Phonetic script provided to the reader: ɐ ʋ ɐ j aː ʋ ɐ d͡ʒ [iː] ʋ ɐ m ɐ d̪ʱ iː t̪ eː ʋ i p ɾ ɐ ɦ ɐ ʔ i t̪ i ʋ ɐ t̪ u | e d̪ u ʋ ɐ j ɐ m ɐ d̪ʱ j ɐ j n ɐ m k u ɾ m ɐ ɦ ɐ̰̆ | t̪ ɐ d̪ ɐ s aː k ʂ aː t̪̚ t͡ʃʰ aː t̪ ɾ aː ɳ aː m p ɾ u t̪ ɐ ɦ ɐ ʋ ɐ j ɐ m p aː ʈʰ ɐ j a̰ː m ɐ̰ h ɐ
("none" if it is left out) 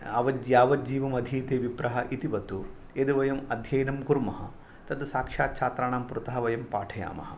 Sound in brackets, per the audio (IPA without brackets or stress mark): iː